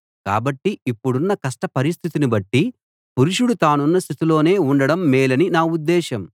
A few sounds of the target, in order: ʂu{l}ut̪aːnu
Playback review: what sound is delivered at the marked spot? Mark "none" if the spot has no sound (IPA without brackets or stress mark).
ɽ